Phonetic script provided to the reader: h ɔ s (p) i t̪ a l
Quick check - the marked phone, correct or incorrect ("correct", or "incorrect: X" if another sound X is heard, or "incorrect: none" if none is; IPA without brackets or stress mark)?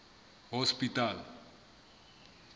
correct